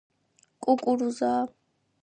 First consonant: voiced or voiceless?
voiceless